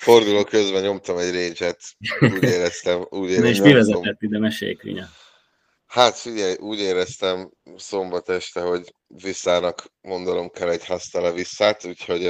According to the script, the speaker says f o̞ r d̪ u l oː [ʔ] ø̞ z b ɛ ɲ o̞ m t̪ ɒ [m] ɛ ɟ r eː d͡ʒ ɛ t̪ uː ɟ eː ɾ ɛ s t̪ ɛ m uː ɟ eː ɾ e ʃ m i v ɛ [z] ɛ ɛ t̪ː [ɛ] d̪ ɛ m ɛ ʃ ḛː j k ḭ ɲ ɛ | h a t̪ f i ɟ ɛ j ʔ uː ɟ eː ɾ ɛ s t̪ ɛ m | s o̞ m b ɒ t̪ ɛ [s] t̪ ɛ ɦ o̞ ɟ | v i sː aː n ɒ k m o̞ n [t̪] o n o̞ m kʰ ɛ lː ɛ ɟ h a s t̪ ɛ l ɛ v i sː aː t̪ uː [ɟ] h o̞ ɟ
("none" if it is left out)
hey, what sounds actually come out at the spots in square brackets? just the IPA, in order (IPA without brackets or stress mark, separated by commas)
k, m, z, i, ʃ, d̪, c